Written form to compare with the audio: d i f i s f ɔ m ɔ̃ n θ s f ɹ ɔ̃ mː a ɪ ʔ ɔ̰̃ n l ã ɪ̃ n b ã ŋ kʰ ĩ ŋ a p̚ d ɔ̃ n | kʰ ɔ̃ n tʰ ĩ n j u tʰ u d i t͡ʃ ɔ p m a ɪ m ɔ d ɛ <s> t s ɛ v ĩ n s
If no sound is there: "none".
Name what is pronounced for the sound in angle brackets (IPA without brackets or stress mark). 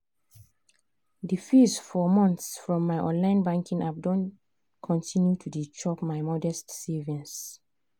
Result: s